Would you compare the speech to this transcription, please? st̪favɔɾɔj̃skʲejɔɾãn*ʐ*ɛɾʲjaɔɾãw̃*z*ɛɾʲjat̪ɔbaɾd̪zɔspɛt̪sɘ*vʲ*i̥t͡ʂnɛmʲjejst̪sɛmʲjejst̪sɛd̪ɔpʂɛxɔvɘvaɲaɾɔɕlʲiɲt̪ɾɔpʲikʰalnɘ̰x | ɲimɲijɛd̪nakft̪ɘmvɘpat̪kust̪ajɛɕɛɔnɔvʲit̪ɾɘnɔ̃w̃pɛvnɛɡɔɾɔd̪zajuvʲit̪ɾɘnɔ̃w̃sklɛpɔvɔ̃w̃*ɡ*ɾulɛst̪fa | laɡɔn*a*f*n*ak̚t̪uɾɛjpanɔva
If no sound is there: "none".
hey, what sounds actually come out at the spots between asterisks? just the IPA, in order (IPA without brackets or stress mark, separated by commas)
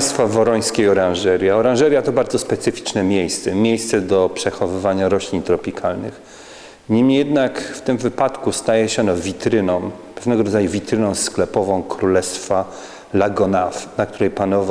ʐ, ʐ, fʲ, k, a, n